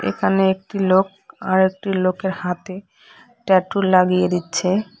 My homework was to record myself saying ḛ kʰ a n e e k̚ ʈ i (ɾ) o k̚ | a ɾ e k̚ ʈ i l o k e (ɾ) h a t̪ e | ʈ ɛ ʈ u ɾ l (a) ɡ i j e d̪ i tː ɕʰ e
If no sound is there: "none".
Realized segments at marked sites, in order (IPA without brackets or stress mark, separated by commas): l, ɾ, a